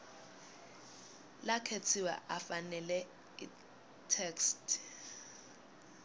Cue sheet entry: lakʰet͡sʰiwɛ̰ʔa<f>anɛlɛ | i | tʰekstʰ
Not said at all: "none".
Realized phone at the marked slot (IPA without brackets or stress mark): f